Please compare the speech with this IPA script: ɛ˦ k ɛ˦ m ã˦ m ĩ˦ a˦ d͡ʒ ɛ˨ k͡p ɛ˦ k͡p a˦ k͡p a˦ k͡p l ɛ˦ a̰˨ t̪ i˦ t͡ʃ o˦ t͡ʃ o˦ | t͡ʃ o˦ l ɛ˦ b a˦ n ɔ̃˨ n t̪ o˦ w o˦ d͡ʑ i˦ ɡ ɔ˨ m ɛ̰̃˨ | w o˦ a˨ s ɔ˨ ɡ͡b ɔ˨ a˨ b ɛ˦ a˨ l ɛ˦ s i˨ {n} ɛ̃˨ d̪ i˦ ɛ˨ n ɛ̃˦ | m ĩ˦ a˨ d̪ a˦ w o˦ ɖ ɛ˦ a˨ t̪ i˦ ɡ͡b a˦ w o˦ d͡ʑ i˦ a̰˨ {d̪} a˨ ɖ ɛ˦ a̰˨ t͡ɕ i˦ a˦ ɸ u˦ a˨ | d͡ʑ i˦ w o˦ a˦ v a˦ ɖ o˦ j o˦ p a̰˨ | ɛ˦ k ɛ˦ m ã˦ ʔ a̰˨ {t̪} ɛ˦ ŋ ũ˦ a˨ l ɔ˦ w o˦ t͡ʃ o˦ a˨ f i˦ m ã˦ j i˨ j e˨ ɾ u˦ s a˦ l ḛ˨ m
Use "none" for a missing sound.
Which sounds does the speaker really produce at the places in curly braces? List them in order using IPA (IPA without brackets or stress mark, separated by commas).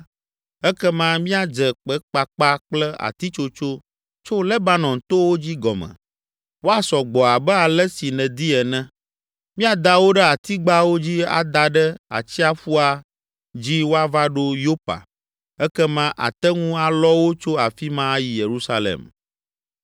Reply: n, d̪, t̪